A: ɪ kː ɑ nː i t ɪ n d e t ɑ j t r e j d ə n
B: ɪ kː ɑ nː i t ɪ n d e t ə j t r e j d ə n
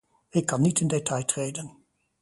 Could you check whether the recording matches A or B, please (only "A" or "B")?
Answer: A